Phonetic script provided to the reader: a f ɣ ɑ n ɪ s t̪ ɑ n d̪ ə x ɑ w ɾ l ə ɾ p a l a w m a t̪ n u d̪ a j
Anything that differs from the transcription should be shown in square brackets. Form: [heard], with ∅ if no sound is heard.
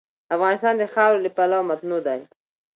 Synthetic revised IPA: a f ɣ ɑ n ɪ s t̪ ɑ n d̪ ə x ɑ w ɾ l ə [∅] p a l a w m a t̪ n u d̪ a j